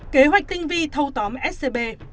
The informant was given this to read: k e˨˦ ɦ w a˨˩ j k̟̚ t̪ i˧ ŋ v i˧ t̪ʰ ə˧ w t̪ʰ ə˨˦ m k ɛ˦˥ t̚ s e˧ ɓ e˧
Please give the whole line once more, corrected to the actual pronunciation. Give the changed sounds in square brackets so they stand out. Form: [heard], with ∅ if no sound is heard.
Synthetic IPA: k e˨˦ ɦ w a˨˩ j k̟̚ t̪ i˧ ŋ v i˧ t̪ʰ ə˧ w [t̪] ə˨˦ m [ʔ] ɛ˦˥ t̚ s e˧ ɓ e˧